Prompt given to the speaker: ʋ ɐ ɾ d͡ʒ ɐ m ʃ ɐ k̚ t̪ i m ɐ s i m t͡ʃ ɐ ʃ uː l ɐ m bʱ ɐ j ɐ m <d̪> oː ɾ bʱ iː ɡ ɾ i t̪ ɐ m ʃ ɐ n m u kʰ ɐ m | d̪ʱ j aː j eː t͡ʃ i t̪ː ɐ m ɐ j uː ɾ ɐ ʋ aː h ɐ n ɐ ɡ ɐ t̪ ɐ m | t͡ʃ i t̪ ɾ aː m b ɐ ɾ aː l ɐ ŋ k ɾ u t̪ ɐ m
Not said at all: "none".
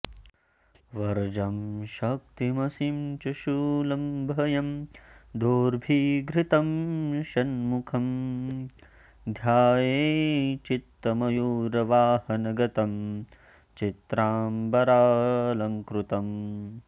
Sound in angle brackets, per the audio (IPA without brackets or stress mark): d̪